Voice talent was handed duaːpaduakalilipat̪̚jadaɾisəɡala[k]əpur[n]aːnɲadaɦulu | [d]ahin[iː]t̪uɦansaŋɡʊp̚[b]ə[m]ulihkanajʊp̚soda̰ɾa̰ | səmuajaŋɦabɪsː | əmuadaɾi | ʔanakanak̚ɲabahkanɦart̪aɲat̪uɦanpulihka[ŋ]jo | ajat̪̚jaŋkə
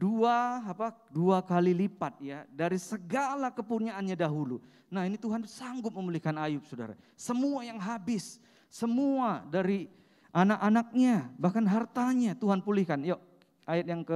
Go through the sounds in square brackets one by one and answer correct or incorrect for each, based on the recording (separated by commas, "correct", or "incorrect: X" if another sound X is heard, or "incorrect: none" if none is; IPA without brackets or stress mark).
correct, incorrect: ɲ, incorrect: n, incorrect: i, incorrect: m, correct, incorrect: n